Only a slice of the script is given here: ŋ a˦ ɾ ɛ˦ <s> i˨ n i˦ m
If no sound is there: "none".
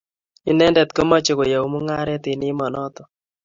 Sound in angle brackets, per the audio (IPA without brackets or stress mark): t